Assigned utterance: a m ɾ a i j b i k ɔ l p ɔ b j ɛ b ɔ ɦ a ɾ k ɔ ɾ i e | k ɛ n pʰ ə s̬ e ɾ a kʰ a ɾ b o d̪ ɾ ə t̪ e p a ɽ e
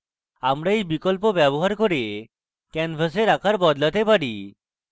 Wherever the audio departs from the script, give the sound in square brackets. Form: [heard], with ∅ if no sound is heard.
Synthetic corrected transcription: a m ɾ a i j b i k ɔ l p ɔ b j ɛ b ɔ ɦ a ɾ k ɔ ɾ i e | k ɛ n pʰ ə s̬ e ɾ a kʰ a ɾ b [ɔ] d̪ [l] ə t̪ e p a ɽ [i]